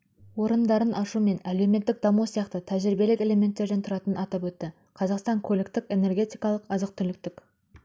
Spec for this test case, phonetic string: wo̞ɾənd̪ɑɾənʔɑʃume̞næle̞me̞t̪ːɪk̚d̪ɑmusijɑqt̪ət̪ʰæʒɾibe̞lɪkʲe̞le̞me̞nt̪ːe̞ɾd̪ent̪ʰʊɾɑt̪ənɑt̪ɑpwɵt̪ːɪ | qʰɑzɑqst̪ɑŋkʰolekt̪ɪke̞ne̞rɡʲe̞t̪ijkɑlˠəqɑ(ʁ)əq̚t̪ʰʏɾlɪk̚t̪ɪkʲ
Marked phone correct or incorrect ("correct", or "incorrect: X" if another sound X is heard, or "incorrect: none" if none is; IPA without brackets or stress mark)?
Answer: incorrect: z